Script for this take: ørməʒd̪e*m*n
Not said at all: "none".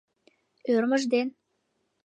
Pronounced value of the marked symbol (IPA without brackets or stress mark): none